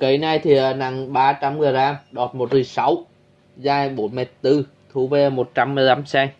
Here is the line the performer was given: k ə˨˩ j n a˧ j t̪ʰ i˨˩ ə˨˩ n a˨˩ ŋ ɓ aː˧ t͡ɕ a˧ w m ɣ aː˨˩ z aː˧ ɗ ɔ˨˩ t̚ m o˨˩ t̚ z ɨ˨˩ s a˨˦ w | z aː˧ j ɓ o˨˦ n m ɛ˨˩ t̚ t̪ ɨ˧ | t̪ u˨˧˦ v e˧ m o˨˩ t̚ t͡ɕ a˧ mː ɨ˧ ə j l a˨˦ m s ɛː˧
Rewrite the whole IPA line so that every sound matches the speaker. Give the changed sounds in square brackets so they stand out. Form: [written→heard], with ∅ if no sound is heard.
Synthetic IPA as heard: k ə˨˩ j n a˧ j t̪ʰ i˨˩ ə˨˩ n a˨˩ ŋ ɓ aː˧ t͡ɕ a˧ [w→∅] m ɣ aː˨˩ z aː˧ ɗ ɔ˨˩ t̚ m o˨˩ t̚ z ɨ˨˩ s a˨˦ w | z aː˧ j ɓ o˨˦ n m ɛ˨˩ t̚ t̪ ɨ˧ | [t̪→t̪ʰ] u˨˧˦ v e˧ m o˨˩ t̚ t͡ɕ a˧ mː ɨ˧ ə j l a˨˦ m s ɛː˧

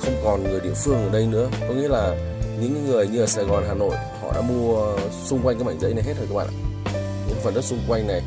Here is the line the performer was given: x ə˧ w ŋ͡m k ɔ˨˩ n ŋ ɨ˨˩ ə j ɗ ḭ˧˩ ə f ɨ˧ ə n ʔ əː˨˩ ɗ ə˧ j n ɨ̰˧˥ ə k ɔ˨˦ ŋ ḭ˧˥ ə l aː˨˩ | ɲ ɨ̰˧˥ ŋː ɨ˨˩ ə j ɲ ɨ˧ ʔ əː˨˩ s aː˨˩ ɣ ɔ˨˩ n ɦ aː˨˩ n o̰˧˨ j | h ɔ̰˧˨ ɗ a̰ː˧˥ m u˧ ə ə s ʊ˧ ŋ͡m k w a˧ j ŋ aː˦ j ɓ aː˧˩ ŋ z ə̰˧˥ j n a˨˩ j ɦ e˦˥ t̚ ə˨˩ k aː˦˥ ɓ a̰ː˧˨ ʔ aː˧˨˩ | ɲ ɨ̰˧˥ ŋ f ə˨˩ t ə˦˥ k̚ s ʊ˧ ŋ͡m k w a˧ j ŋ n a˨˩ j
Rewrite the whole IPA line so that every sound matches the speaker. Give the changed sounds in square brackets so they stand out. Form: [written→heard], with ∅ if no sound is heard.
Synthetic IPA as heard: x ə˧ w ŋ͡m k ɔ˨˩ n ŋ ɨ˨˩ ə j ɗ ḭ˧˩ ə f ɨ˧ ə [n→ŋ] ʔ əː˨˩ ɗ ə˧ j n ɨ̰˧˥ ə k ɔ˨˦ ŋ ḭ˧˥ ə l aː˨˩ | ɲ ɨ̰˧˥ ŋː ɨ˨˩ ə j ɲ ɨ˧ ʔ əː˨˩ s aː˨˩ ɣ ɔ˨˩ n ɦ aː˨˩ n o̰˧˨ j | h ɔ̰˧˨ ɗ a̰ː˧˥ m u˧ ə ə s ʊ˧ ŋ͡m k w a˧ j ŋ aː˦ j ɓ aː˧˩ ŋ z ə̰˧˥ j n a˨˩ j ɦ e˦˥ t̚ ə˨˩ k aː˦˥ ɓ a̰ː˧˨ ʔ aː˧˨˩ | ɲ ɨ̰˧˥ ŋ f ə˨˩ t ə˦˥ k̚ s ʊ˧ ŋ͡m k w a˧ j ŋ n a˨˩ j

